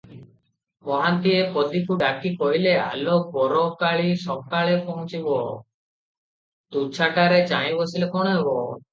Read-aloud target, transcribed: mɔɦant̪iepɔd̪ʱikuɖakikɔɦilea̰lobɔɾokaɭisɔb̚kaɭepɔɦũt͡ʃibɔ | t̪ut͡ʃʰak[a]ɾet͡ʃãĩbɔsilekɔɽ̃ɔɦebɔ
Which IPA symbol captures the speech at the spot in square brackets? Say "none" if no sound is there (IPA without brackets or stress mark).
a